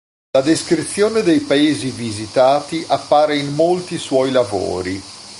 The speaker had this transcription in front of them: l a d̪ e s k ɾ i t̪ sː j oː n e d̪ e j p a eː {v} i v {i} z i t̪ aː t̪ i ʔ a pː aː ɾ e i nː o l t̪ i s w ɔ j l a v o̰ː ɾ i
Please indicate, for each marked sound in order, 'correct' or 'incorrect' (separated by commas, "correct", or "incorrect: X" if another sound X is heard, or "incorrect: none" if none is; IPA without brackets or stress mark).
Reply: incorrect: z, correct